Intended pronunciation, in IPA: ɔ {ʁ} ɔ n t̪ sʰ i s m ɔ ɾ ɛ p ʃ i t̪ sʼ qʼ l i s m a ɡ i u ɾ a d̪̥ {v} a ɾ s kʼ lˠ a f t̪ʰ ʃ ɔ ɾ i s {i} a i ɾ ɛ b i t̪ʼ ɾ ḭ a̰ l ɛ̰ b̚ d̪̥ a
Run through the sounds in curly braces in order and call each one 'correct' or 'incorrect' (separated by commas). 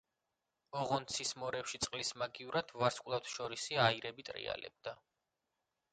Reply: correct, correct, correct